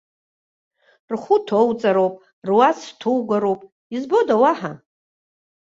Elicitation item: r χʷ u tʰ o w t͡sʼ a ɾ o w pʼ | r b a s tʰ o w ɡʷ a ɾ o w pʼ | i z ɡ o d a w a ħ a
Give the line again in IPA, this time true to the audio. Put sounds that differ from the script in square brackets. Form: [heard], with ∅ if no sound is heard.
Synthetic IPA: r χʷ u tʰ o w t͡sʼ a ɾ o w pʼ | r [w] a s tʰ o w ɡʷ a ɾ o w pʼ | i z [b] o d a w a ħ a

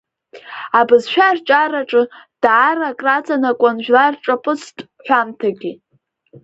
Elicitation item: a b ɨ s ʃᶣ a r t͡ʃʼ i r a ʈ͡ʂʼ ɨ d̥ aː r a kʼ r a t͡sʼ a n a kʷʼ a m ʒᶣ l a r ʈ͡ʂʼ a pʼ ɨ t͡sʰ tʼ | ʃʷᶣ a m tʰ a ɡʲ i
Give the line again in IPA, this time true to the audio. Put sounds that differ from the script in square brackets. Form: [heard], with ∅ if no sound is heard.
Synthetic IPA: a b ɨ [z] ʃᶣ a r t͡ʃʼ [a] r a ʈ͡ʂʼ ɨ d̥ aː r a kʼ r a t͡sʼ a n a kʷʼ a [n] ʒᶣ l a r ʈ͡ʂʼ a pʼ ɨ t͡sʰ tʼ | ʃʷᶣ a m tʰ a ɡʲ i

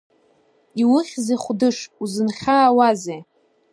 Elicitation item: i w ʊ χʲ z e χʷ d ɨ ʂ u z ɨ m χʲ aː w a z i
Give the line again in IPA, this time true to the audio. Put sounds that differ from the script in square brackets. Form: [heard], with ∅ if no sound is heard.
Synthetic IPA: i w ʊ χʲ z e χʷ d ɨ ʂ u z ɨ [n] χʲ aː w a z [e]

